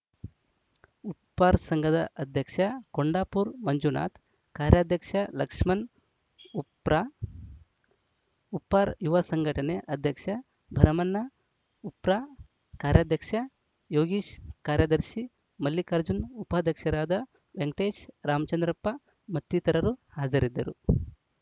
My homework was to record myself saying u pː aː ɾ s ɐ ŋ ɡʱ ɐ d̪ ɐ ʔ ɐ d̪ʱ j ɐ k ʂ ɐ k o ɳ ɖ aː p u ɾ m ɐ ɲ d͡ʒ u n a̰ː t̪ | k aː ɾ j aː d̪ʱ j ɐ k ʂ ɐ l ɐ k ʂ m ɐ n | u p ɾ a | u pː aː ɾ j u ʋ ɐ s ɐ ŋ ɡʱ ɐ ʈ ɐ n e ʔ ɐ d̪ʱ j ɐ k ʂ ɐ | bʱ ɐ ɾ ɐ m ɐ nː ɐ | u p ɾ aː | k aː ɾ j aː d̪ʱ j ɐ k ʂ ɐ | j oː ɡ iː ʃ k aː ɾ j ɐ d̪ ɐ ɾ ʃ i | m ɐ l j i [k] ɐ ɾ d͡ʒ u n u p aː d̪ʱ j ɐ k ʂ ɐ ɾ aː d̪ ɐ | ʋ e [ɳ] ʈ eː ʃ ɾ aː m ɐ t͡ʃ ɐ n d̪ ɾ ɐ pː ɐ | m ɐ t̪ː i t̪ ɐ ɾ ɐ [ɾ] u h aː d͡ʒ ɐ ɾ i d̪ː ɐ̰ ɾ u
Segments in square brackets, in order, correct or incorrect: correct, incorrect: ŋ, correct

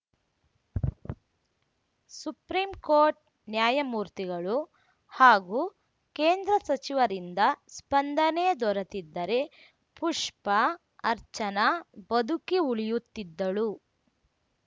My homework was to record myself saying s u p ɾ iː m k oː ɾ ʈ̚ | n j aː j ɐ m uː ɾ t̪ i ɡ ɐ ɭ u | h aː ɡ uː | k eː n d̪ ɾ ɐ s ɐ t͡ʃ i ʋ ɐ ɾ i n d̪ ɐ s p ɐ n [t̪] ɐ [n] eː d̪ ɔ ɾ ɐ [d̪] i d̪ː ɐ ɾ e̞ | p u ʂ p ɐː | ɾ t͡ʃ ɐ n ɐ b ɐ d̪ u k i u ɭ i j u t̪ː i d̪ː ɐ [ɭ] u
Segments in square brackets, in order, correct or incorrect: incorrect: d̪, correct, incorrect: t̪, correct

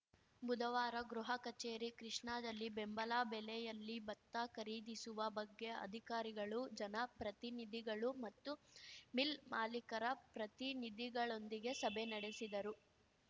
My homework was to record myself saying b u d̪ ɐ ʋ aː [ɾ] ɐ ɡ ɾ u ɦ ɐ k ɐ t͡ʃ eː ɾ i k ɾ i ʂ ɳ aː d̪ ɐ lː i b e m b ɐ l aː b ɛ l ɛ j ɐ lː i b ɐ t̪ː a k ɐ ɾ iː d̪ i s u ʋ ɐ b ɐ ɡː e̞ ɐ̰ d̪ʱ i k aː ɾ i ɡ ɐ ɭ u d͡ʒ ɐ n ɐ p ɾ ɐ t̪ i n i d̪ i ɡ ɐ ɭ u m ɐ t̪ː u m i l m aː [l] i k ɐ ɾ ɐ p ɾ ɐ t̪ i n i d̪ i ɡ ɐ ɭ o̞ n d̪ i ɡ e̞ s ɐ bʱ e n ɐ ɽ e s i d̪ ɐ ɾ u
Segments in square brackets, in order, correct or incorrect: correct, correct

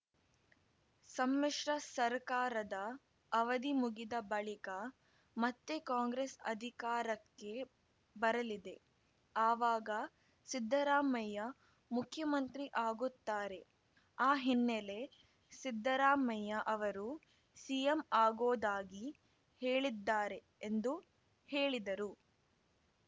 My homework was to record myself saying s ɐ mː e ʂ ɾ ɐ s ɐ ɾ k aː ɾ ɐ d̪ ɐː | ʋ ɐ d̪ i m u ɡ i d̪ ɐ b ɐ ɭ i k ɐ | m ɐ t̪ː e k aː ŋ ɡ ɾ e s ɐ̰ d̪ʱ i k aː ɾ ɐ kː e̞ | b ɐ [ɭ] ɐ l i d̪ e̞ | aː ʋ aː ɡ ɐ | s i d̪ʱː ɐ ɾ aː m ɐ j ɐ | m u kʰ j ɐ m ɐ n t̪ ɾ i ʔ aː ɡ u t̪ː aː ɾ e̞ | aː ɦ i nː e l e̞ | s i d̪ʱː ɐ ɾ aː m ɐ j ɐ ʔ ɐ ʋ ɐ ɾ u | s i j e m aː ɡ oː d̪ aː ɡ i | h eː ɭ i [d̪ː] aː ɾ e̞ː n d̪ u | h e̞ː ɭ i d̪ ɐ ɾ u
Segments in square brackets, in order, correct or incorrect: incorrect: ɾ, correct

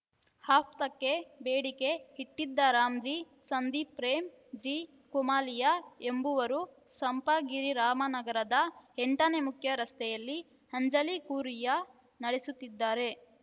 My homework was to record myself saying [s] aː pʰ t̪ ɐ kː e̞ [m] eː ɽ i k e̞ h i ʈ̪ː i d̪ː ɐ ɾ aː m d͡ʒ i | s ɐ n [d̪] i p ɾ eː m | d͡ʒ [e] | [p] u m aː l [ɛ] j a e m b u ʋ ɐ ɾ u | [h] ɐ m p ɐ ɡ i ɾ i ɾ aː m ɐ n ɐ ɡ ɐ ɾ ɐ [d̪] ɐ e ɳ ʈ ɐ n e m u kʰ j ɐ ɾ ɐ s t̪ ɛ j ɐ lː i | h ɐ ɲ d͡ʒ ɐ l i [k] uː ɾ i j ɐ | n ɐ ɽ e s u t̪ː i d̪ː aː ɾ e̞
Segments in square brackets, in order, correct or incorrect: incorrect: h, incorrect: b, correct, incorrect: i, incorrect: k, incorrect: i, incorrect: s, correct, correct

